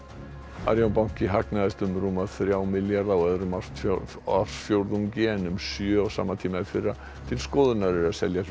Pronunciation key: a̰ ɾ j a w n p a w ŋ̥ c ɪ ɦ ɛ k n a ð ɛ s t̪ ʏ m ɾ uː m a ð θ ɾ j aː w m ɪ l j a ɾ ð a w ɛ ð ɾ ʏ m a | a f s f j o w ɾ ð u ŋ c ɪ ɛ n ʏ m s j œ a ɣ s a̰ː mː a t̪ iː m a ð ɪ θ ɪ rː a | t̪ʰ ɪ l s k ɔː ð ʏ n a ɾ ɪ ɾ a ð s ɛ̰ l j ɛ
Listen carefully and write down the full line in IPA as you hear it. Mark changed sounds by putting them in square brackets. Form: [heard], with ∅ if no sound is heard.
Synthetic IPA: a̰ ɾ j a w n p a w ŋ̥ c ɪ ɦ [a] k n a ð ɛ s t̪ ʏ m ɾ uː m a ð θ ɾ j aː w m ɪ l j a ɾ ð a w ɛ ð ɾ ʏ m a | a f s f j o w ɾ ð u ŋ c ɪ ɛ n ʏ m s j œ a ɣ s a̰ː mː a [t̪ʰ] iː m a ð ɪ [f] ɪ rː a | t̪ʰ ɪ l s k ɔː ð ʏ n a ɾ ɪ ɾ a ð s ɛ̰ l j [a]